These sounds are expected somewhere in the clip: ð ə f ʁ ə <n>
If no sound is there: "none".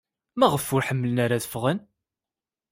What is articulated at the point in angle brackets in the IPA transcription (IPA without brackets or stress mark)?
n